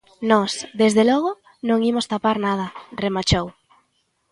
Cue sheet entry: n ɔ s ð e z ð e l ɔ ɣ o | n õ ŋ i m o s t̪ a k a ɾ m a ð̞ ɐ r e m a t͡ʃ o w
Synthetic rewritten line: n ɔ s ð e z ð e l ɔ ɣ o | n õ ŋ i m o s t̪ a p a ɾ n a ð̞ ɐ r e m a t͡ʃ o w